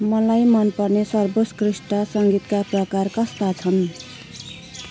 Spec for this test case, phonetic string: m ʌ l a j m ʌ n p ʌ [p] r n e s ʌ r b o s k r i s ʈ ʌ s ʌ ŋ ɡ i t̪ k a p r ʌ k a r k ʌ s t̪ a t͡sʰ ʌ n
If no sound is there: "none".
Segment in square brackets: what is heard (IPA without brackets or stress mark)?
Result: none